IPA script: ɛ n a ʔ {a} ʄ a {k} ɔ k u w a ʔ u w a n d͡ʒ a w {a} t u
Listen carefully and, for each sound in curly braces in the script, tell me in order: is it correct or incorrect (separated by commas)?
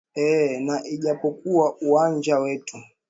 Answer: incorrect, incorrect, incorrect